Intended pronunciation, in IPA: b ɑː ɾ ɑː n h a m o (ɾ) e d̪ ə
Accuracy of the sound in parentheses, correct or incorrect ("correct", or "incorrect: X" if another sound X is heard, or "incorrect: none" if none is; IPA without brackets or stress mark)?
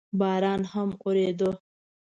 correct